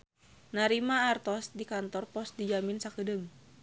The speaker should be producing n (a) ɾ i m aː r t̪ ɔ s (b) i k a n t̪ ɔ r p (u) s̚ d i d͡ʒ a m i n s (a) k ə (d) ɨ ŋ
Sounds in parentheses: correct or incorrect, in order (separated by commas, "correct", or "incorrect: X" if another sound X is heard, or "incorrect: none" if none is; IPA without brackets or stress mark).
correct, incorrect: d, incorrect: ɔ, correct, correct